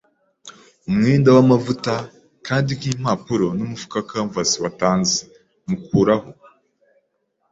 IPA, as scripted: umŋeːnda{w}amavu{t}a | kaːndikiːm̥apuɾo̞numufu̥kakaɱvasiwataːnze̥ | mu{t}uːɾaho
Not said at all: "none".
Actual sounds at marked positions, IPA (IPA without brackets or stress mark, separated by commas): w, t, k